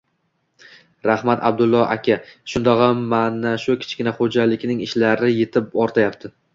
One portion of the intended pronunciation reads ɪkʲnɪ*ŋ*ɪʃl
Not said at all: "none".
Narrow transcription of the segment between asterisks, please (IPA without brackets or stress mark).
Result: ŋ